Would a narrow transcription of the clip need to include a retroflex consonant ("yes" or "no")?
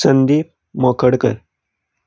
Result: yes